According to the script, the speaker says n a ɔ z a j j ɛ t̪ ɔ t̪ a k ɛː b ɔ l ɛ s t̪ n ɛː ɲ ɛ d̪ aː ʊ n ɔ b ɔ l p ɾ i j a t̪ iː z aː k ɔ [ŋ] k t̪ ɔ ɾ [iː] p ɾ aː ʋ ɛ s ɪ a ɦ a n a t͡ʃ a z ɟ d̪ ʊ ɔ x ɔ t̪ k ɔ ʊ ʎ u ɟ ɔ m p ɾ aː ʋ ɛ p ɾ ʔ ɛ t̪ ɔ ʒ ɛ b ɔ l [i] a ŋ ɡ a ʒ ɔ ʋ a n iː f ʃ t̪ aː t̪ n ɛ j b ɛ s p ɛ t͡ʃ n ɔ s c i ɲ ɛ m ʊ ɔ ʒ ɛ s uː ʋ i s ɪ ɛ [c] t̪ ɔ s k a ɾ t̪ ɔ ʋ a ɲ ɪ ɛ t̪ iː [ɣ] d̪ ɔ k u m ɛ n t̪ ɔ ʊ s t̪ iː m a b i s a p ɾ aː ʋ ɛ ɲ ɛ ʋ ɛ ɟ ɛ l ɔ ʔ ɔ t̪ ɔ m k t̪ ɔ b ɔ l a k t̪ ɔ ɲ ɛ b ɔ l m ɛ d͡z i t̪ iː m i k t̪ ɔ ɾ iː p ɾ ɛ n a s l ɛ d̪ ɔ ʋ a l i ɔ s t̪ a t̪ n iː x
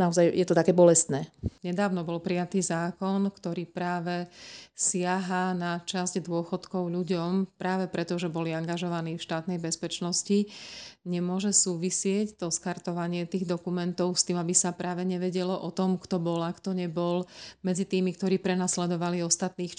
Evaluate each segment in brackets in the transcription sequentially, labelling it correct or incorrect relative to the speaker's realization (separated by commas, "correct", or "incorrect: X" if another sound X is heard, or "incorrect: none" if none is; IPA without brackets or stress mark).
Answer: incorrect: n, correct, correct, correct, correct